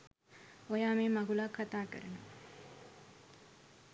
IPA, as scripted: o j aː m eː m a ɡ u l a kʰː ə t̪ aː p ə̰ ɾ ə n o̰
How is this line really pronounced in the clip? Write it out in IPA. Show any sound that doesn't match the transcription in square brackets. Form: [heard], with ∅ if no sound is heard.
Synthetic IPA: o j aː m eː m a ɡ u l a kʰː [a] t̪ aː [k] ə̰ ɾ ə n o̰